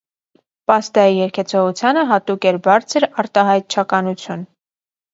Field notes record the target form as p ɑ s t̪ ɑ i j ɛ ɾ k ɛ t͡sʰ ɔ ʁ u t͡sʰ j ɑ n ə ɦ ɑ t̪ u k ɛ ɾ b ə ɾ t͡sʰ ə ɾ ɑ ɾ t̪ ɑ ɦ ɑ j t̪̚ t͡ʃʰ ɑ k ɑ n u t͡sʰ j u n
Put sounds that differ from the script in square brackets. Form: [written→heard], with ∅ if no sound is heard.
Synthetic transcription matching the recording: p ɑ s t̪ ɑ i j ɛ ɾ [k→kʰ] ɛ t͡sʰ ɔ ʁ u t͡sʰ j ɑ n ə ɦ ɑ t̪ u k ɛ ɾ b [ə→ɑ] ɾ t͡sʰ ə ɾ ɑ ɾ t̪ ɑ ɦ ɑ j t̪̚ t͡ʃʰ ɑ k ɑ n u t͡sʰ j u n